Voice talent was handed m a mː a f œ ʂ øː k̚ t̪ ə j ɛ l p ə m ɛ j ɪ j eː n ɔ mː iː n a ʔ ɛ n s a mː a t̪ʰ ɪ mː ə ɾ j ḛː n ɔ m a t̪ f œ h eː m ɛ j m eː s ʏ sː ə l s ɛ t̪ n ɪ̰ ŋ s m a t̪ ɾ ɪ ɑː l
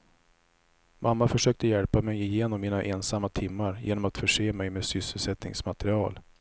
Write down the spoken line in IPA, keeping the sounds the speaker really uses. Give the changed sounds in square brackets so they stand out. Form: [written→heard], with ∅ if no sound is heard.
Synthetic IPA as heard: m a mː a f œ ʂ øː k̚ t̪ ə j ɛ l p [ə→a] m ɛ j ɪ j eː n ɔ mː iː n a ʔ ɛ n s a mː a t̪ʰ ɪ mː [ə→a] ɾ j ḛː n ɔ m a t̪ f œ [h→ʂ] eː m ɛ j m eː s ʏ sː ə l s ɛ t̪ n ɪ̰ ŋ s m a t̪ ɾ ɪ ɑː l